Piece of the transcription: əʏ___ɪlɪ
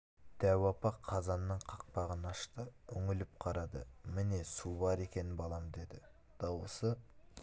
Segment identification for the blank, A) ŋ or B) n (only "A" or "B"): A